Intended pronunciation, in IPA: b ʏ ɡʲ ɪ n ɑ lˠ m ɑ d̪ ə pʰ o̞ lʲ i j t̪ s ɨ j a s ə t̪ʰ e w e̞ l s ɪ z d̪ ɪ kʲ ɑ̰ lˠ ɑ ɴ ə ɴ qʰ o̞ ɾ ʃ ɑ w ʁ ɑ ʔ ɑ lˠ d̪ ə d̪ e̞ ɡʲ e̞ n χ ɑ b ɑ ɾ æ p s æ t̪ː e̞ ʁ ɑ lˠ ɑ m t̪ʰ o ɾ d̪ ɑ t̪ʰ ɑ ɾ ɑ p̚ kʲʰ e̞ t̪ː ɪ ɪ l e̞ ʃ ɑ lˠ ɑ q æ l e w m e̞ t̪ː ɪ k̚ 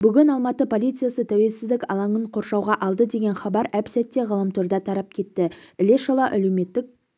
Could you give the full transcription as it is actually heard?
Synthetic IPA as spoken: b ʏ ɡʲ ɪ n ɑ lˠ m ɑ t̪ ə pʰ o̞ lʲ i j t̪ s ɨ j a s ə t̪ʰ æ w e̞ l s ɪ z d̪ ɪ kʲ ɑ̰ lˠ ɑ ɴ ə ɴ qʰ o̞ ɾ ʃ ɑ w ʁ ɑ ʔ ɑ lˠ d̪ ə d̪ e̞ ɡʲ e̞ n χ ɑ b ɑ ɾ æ p s æ t̪ː e̞ ʁ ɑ lˠ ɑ m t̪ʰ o ɾ d̪ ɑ t̪ʰ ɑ ɾ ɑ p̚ kʲʰ e̞ t̪ː ɪ ɪ l e̞ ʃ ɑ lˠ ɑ ʔ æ l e w m e̞ t̪ː ɪ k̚

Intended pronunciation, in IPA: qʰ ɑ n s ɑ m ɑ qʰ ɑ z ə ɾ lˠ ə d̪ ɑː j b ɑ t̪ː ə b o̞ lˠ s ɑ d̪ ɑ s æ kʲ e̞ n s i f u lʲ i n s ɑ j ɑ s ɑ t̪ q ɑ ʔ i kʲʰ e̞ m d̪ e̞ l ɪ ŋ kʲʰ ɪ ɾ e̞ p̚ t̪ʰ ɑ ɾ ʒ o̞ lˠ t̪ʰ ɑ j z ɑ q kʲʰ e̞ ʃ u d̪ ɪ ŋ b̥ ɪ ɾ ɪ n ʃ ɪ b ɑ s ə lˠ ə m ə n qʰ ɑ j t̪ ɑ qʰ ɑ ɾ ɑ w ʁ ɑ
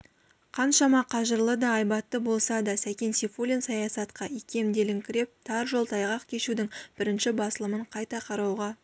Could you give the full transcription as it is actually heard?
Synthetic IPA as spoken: qʰ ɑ n ʃ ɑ m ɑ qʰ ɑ ʒ ə ɾ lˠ ə d̪ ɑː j b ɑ t̪ː ə b o̞ lˠ s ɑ d̪ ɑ s æ kʲ e̞ n s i f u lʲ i n s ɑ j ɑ s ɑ t̪ q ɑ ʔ i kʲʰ e̞ m d̪ e̞ l ɪ ŋ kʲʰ ɪ ɾ e̞ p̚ t̪ʰ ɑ ɾ ʒ o̞ lˠ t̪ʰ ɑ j ʁ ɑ q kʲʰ e̞ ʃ u d̪ ɪ ŋ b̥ ɪ ɾ ɪ n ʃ ɪ b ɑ s ə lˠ ə m ə ɴ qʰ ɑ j t̪ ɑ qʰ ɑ ɾ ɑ w ʁ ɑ

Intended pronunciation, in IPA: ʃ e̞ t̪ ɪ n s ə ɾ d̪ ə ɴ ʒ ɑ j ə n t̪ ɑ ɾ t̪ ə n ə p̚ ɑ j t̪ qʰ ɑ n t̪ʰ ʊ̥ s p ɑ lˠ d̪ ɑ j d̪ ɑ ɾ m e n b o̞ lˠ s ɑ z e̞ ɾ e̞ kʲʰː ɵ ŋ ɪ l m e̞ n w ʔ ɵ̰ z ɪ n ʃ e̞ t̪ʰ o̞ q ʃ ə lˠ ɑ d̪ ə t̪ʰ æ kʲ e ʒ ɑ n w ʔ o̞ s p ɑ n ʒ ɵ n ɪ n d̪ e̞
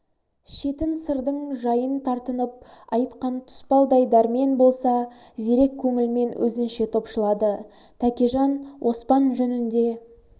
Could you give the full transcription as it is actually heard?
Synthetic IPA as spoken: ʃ e̞ t̪ ɪ n s ə ɾ d̪ ə ɴ ʒ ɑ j ə n t̪ʰ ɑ ɾ t̪ ə n ə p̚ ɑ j t̪ q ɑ n t̪ʰ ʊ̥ s p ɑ lˠ d̪ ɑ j d̪ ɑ ɾ m e n b o̞ lˠ s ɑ z e̞ ɾ e̞ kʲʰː ɵ ŋ ɪ l m e̞ n w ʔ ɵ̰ z ɪ n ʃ e̞ t̪ʰ o̞ p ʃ ə lˠ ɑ d̪ ə t̪ʰ æ kʲ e ʒ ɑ n w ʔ o̞ s p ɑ n ʒ ɵ n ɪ n d̪ e̞

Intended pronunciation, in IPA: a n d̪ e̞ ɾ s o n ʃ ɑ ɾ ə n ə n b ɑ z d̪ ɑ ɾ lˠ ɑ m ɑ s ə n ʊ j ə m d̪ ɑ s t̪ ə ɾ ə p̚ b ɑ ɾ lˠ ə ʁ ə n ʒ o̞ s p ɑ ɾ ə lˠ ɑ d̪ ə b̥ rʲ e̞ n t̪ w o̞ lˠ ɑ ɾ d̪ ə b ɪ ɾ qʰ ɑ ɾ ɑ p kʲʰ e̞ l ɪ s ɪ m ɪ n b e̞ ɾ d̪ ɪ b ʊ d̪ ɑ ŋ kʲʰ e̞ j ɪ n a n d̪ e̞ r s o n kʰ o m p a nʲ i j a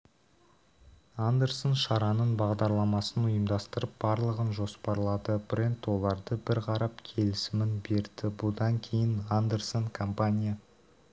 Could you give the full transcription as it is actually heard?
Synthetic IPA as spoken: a n d̪ e̞ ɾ s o n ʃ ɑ ɾ ɑ n ə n b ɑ ʁ d̪ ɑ ɾ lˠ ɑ m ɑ s ə n ʊ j ə m d̪ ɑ s t̪ ə ɾ ə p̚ b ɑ ɾ lˠ ə ʁ ə n ʒ o̞ s p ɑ ɾ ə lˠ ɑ d̪ ə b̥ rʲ e̞ n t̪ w o̞ lˠ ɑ ɾ d̪ ə b ɪ ɾ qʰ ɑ ɾ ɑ p kʲʰ e̞ l ɪ s ɪ m ɪ n b e̞ ɾ d̪ ɪ b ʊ d̪ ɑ ŋ kʲʰ e̞ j ɪ n a n d̪ e̞ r s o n kʰ o m p a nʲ i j a

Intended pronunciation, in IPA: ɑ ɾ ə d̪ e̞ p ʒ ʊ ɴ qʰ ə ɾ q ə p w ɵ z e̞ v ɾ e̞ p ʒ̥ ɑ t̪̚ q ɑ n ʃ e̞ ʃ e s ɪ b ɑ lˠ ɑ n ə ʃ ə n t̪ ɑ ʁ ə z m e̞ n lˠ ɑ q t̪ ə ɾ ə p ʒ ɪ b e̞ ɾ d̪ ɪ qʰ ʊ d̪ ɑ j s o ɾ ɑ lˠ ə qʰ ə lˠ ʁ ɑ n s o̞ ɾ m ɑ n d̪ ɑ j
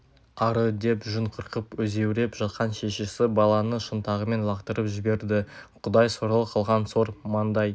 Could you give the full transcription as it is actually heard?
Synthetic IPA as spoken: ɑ ɾ ə d̪ e̞ p ʒ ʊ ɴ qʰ ə ɾ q ə p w ɵ z e̞ w ɾ e̞ p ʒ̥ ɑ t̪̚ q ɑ n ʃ e̞ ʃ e s ɪ b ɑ lˠ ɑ n ə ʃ ə n t̪ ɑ ʁ ə m e̞ n lˠ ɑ q t̪ ə ɾ ə p ʒ ɪ b e̞ ɾ d̪ ɪ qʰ ʊ d̪ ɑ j s o ɾ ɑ lˠ ə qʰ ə lˠ ʁ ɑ n s o̞ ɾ m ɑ n d̪ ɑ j

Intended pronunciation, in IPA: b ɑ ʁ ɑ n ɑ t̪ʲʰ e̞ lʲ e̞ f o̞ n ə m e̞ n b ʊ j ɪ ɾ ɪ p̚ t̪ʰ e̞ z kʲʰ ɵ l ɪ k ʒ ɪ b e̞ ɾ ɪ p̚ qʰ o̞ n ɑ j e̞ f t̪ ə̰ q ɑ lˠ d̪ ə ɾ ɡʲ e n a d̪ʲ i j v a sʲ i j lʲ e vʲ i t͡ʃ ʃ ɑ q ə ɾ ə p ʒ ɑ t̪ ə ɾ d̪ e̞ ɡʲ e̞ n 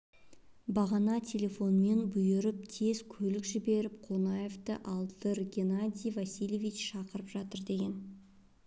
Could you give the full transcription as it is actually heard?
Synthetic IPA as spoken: b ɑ ʁ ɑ n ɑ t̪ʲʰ e̞ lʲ e̞ f o̞ n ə m e̞ n b ʊ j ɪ ɾ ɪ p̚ t̪ʰ e̞ z kʲʰ ɵ l ɪ k ʒ ɪ b e̞ ɾ ɪ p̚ qʰ o̞ n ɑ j e̞ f t̪ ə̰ ʔ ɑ lˠ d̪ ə ɾ ɡʲ e n a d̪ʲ i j v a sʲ i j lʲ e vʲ i t͡ʃ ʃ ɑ q ə ɾ ə p ʒ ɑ t̪ ə ɾ d̪ e̞ ɡʲ e̞ n

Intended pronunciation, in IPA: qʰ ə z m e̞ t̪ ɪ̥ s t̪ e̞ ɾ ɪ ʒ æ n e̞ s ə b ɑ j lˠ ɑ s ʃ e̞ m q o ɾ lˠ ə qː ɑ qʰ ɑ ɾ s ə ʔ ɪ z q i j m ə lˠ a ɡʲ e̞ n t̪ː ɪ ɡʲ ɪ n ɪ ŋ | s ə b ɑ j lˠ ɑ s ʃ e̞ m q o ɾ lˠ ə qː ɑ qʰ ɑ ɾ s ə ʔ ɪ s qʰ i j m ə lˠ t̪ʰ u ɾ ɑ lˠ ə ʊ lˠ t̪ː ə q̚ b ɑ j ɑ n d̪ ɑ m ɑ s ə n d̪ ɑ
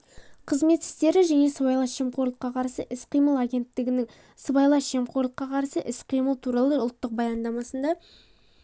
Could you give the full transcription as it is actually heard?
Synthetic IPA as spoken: qʰ ə z m e̞ t̪ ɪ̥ s t̪ e̞ ɾ ɪ ʒ æ n e̞ s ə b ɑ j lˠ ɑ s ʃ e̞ m q o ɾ lˠ ə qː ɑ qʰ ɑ ɾ s ə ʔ ɪ s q i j m ə lˠ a ɡʲ e̞ n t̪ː ɪ ɡʲ ɪ n ɪ ŋ | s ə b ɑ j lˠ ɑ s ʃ e̞ m q o ɾ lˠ ə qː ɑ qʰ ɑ ɾ s ə ʔ ɪ s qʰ i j m ə lˠ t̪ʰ u ɾ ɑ lˠ ə ʊ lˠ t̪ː ə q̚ b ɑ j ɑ n d̪ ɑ m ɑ s ə n d̪ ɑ

